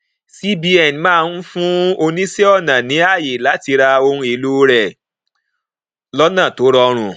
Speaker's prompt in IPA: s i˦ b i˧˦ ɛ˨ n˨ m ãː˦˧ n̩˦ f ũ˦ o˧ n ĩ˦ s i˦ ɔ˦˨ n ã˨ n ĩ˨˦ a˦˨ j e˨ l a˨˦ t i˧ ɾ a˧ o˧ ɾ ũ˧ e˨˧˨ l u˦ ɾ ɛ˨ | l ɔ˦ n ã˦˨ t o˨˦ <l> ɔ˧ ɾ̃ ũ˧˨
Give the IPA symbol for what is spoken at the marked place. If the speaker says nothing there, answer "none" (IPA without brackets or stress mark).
ɾ